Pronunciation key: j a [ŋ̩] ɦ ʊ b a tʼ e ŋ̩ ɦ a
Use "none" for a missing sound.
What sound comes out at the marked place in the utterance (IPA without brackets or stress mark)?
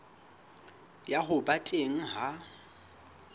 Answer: none